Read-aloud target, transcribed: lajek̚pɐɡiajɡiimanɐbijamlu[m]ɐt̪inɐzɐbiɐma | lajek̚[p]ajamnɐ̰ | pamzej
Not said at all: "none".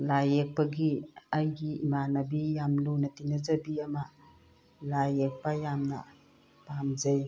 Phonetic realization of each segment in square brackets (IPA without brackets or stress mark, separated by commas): n, p